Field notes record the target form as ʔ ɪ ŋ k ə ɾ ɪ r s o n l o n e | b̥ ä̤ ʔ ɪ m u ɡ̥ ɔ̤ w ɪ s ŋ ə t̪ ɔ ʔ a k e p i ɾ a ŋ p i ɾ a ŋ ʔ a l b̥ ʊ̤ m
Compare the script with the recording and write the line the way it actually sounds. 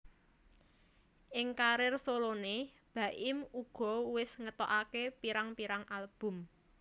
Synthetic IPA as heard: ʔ ɪ ŋ k a ɾ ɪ r s o l o n e | b̥ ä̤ ʔ ɪ m u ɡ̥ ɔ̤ w ɪ s ŋ ə t̪ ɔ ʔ a k e p i ɾ a ŋ p i ɾ a ŋ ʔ a l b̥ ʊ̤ m

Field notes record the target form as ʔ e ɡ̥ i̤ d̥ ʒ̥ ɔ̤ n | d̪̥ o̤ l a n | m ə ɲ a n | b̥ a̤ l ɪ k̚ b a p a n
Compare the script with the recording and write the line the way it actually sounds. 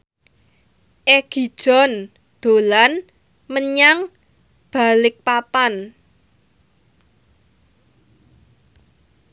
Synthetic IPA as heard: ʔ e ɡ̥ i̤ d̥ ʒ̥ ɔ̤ n | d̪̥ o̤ l a n | m ə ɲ a ŋ | b̥ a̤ l ɪ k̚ p a p a n

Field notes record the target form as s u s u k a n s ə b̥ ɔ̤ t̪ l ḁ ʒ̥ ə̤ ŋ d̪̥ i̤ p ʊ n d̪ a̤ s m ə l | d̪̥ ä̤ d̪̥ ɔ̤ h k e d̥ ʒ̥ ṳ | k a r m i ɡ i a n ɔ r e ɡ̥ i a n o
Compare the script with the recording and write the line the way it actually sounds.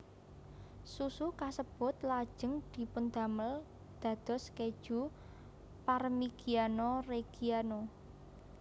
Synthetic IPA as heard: s u s u k a s ə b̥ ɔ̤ t̪ l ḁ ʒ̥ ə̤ ŋ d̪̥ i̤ p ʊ n d̪ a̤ m ə l | d̪̥ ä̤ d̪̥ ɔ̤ s k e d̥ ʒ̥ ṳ | p a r m i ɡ i a n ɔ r e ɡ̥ i a n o

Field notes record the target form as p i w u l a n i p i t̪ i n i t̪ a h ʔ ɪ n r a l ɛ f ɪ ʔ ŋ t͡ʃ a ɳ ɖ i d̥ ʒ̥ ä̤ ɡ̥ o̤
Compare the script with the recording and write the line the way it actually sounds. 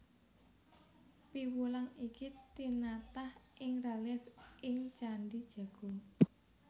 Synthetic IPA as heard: p i w u l a ŋ i k i t̪ i n a t̪ a h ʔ ɪ ŋ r a l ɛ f ɪ ŋ t͡ʃ a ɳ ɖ i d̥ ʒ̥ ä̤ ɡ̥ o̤

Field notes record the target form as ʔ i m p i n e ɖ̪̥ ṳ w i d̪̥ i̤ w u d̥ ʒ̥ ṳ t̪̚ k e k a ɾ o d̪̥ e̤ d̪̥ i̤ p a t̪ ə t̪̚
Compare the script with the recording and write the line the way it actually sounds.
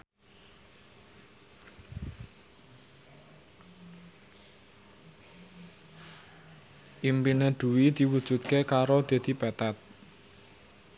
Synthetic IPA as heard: ʔ i m p i n e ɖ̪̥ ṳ w i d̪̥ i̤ w u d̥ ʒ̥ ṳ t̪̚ k e k a ɾ o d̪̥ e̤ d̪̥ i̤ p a t̪ a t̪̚

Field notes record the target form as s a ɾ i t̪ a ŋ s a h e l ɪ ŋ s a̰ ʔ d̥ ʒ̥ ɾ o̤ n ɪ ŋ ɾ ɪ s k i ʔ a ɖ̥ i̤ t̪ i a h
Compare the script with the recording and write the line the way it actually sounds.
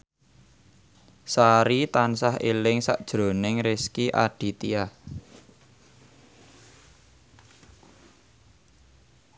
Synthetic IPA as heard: s a ɾ i t̪ a n s a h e l ɪ ŋ s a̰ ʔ d̥ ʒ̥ ɾ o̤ n ɪ ŋ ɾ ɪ s k i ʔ a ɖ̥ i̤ t̪ i a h

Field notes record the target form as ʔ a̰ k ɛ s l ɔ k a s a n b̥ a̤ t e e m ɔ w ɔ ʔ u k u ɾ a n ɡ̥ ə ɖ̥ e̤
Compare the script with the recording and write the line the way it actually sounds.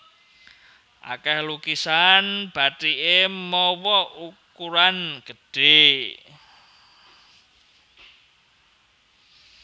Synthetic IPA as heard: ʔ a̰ k ɛ h l u k i s a n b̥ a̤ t i e m ɔ w ɔ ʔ u k u ɾ a n ɡ̥ ə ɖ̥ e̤

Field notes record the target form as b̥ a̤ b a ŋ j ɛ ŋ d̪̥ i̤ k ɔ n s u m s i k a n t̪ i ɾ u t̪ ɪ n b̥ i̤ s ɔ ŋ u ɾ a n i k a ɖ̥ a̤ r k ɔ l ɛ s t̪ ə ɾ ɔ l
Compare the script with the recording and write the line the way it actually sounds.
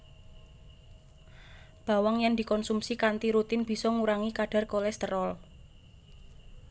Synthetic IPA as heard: b̥ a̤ w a ŋ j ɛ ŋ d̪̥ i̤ k ɔ n s u m s i k a n t̪ i ɾ u t̪ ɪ n b̥ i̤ s ɔ ŋ u ɾ a ŋ i k a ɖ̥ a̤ r k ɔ l ɛ s t̪ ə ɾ ɔ l

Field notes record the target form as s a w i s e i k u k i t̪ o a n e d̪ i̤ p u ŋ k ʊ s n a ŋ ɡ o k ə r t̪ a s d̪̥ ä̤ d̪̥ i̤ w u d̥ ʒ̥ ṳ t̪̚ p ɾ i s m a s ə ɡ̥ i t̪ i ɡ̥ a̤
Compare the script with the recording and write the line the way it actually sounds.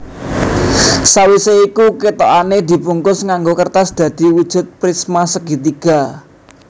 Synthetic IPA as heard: s a w i s e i k u k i t̪ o a n e d̪ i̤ p u ŋ k ʊ s ŋ a ŋ ɡ o k ə r t̪ a s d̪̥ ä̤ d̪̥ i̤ w u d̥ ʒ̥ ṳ t̪̚ p ɾ i s m a s ə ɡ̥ i t̪ i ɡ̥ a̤

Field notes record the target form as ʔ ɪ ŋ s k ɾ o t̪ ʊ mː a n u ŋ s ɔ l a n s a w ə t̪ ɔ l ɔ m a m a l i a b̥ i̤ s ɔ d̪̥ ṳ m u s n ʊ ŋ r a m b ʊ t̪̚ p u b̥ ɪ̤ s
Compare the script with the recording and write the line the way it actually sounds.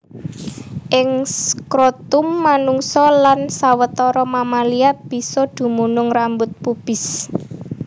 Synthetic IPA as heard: ʔ ɪ ŋ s k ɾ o t̪ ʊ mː a n u ŋ s ɔ l a n s a w ə t̪ ɔ ɾ ɔ m a m a l i a b̥ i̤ s ɔ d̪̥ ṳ m u n ʊ ŋ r a m b ʊ t̪̚ p u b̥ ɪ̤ s

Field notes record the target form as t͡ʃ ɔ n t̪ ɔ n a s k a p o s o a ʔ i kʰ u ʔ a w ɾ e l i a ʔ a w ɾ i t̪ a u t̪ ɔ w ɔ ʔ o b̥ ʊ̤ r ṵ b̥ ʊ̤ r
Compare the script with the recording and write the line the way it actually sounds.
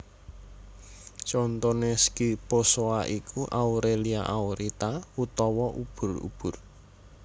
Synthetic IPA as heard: t͡ʃ ɔ n t̪ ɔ n e s k i p o s o a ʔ i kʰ u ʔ a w ɾ e l i a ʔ a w ɾ i t̪ a u t̪ ɔ w ɔ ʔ u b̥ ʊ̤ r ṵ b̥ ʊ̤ r

